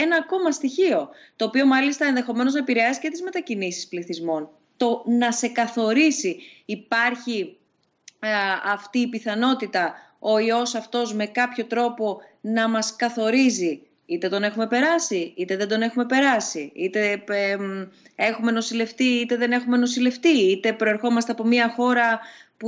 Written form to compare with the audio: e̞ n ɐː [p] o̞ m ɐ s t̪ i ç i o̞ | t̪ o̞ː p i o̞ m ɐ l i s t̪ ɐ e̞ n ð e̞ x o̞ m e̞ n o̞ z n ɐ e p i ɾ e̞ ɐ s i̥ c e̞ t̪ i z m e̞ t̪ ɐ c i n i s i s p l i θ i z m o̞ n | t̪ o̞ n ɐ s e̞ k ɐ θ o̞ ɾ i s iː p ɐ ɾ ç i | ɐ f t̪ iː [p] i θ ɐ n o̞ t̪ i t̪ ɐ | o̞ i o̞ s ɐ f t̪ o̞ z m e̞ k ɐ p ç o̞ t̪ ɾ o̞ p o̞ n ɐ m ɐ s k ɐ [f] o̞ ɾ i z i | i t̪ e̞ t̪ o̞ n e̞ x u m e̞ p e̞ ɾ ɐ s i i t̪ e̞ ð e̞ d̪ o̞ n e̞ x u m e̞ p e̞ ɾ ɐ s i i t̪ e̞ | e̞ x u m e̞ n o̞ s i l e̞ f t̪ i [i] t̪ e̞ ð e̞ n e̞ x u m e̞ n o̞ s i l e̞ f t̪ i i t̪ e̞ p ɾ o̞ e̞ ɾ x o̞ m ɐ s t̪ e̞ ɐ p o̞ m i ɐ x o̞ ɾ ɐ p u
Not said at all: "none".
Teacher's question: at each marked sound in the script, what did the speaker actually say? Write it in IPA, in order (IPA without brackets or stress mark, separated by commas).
k, p, θ, i